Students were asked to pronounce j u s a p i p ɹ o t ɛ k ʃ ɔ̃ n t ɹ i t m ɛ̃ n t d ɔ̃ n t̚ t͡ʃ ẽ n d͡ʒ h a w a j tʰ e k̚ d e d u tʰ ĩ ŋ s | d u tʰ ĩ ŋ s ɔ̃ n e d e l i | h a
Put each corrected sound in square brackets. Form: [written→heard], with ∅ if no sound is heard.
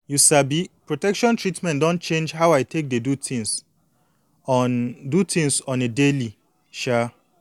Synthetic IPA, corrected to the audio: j u s a [p→b] i p ɹ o t ɛ k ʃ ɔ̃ n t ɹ i t m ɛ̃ n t d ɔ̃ n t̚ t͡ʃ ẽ n d͡ʒ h a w a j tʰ e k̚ d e d u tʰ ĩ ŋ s | d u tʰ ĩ ŋ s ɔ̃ n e d e l i | [h→ʃ] a